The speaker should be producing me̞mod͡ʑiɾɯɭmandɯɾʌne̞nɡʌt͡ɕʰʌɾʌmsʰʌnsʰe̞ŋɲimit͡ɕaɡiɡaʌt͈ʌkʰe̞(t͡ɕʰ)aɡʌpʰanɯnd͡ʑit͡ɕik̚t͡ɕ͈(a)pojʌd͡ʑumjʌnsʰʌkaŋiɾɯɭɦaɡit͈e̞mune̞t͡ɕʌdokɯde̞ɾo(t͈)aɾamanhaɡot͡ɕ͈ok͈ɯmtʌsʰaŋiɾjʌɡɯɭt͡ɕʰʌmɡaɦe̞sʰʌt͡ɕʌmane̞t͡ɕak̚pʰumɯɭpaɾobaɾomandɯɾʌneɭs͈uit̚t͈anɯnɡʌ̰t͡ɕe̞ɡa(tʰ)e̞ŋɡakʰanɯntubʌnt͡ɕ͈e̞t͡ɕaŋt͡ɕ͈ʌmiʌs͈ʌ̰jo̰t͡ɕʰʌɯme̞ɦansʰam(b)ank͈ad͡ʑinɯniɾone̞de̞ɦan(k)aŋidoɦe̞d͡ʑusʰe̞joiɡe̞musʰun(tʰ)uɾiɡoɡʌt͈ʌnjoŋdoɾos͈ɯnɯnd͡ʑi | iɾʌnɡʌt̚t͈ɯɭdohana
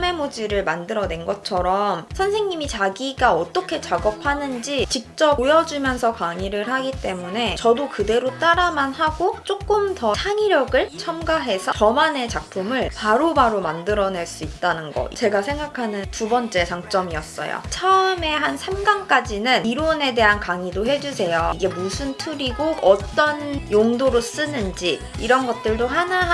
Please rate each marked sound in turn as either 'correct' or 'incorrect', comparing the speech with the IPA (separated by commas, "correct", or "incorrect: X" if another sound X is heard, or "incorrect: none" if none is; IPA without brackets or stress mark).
incorrect: t͡ɕ, incorrect: ʌ, correct, incorrect: sʰ, incorrect: ɡ, correct, correct